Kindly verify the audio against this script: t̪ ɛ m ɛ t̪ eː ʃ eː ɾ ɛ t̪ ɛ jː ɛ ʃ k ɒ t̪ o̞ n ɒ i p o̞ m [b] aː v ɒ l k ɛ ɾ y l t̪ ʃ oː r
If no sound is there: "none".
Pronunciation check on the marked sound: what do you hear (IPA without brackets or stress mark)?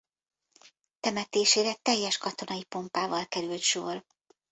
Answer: p